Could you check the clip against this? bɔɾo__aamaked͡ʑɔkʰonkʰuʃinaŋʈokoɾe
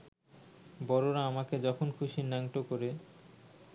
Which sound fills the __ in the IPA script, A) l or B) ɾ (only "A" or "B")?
B